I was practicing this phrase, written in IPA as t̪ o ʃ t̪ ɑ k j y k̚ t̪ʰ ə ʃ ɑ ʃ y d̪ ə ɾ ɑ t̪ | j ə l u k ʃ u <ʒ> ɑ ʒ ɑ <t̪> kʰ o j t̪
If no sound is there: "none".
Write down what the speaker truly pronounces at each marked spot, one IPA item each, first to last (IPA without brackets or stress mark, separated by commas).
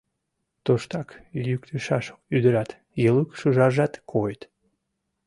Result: ʒ, t̪